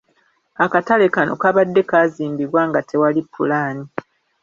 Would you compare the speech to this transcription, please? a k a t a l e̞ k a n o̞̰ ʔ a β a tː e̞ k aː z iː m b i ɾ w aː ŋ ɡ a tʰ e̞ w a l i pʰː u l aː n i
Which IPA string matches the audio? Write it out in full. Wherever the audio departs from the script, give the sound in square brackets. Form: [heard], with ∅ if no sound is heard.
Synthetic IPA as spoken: a k a t a l e̞ k a n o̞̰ [k] a β a [dː] e̞ k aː z iː m b i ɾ w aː ŋ ɡ a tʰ e̞ w a l i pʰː u l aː n i